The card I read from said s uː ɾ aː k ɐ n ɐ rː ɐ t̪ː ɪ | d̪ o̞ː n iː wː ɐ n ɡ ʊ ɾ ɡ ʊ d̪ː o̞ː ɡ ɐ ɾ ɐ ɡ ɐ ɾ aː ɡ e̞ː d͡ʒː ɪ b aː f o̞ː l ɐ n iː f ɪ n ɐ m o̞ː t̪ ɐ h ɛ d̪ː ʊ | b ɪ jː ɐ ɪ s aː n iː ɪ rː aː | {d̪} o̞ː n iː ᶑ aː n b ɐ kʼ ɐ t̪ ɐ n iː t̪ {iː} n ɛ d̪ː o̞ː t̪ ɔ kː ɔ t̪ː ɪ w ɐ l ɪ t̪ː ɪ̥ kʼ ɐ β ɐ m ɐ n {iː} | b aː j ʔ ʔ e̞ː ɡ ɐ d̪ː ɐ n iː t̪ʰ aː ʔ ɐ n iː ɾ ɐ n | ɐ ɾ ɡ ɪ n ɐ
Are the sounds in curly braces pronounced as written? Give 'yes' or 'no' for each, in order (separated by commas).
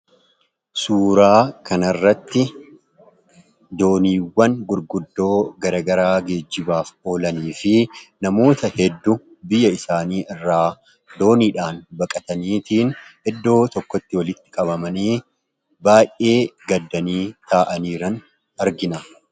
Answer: yes, yes, yes